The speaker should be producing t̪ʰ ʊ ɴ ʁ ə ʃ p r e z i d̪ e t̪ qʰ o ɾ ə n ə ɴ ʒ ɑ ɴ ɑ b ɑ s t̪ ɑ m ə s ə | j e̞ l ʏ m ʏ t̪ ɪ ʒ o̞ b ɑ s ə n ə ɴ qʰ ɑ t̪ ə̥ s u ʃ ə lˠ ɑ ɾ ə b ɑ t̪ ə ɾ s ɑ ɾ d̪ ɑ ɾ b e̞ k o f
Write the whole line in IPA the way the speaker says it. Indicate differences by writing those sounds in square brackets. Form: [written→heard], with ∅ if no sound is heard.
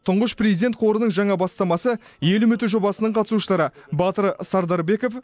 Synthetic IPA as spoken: t̪ʰ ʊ ɴ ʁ ə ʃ p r e z i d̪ e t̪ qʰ o ɾ ə n ə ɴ ʒ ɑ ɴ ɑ b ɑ s t̪ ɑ m [ə→ɑ] s ə | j e̞ l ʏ m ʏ t̪ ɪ ʒ o̞ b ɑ s ə n ə ɴ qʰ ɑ t̪ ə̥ s u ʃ ə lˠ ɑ ɾ ə b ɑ t̪ ə ɾ s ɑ ɾ d̪ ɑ ɾ b e̞ k o f